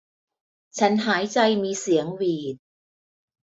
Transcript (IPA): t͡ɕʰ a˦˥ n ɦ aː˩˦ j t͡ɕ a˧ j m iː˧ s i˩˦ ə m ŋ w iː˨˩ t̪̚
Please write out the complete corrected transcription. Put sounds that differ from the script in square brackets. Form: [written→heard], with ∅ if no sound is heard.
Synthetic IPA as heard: t͡ɕʰ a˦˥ n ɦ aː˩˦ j t͡ɕ a˧ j m iː˧ s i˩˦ ə [m→∅] ŋ w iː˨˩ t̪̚